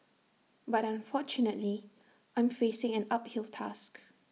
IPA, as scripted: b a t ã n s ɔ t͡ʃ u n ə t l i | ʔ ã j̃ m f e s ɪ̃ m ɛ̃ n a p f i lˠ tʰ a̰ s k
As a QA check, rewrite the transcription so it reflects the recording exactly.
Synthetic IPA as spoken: b a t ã n f ɔ t͡ʃ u n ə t l i | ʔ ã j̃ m f e s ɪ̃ ŋ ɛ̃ n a p h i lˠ tʰ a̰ s k